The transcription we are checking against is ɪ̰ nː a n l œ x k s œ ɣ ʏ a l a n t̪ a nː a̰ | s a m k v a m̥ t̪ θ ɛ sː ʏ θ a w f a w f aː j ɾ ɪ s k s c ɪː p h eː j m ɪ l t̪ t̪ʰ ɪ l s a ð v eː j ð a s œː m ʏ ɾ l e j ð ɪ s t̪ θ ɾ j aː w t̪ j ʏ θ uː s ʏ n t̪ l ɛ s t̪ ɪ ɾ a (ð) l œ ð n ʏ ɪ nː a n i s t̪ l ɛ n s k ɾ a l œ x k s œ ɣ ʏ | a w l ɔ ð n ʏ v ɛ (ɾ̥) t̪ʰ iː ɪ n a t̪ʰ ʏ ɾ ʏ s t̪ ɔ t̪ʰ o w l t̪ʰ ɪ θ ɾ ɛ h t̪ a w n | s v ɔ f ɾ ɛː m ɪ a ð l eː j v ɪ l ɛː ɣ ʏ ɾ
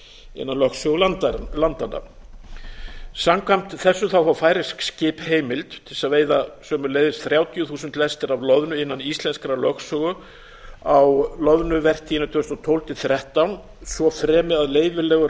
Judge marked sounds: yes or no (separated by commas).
no, no